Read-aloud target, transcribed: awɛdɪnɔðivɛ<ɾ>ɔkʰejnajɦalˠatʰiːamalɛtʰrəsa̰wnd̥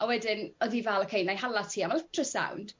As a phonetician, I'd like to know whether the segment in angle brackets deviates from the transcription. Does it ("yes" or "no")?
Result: yes